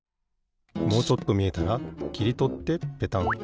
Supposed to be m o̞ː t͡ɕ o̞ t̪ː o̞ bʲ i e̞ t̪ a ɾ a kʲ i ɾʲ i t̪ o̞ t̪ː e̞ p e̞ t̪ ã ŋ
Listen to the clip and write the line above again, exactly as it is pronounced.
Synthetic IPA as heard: m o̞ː t͡ɕ o̞ t̪ː o̞ mʲ i e̞ t̪ a ɾ a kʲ i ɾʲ i t̪ o̞ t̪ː e̞ p e̞ t̪ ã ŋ